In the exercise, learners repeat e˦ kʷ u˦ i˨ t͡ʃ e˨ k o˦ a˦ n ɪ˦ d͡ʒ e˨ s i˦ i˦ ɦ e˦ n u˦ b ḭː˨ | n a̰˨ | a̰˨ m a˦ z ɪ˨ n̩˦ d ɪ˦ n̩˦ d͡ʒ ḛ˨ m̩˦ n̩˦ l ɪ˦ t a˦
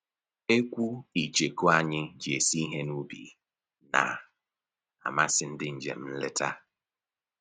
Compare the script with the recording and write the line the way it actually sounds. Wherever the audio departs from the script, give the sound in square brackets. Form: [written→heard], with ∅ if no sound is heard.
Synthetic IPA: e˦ kʷ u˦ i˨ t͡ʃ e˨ k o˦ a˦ [n→ɲ] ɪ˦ d͡ʒ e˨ s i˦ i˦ ɦ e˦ n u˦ b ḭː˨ | n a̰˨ | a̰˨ m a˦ [z→s] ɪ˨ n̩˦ d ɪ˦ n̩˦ d͡ʒ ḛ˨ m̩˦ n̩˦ l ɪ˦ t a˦